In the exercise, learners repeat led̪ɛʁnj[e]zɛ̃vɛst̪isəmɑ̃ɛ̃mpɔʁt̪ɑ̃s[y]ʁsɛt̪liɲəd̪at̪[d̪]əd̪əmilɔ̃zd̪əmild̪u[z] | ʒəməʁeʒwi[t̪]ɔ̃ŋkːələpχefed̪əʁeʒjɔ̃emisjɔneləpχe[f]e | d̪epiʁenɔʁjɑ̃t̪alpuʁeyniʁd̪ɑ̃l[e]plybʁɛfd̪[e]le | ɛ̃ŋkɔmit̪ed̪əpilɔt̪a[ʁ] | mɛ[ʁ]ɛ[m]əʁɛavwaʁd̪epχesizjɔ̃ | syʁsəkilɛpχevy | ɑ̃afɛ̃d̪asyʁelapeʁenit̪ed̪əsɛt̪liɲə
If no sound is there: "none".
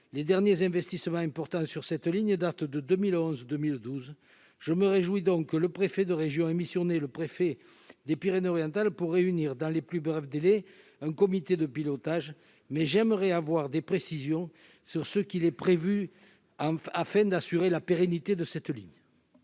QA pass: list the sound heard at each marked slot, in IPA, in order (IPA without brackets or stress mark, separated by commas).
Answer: e, y, d̪, z, d̪, f, e, e, ʒ, ʒ, m